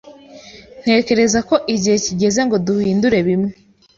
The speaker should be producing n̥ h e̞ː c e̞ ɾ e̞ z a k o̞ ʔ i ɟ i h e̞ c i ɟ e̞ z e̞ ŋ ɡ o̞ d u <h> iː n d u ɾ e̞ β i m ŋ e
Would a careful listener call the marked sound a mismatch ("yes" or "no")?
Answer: no